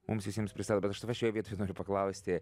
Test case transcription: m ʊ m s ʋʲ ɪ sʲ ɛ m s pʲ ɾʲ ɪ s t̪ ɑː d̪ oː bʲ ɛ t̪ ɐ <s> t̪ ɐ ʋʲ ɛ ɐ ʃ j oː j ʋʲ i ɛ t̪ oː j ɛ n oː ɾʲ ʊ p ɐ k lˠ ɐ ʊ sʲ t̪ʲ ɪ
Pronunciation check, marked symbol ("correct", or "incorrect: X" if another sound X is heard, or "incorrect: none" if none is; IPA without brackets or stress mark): incorrect: ʃ